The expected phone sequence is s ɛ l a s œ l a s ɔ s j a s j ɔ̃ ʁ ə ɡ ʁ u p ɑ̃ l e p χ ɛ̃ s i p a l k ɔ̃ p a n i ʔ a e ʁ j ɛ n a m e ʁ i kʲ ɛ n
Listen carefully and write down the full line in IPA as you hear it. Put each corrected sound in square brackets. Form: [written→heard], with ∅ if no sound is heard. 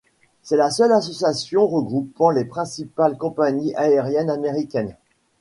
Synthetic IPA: s ɛ l a s œ l a s ɔ s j a s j ɔ̃ ʁ ə ɡ ʁ u p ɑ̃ l e p χ ɛ̃ s i p a l k ɔ̃ p a [n→ɲ] i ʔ a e ʁ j ɛ n a m e ʁ i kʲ ɛ n